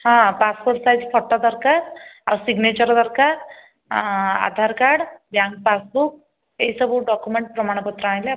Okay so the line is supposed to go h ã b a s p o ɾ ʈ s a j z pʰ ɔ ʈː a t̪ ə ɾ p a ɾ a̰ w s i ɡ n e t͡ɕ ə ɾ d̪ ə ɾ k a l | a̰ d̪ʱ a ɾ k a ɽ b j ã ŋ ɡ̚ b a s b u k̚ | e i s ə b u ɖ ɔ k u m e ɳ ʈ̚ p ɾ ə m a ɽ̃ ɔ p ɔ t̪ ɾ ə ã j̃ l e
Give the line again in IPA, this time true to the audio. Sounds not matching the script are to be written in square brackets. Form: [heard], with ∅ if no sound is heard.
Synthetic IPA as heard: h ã [p] a s p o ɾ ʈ s a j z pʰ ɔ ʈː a [d̪] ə ɾ [k] a ɾ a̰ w s i ɡ n e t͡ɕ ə ɾ d̪ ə ɾ k a [ɾ] | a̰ d̪ʱ a ɾ k a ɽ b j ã ŋ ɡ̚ [p] a s b u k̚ | e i s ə b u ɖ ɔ k u m e ɳ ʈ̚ p ɾ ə m a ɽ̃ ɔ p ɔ t̪ ɾ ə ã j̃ l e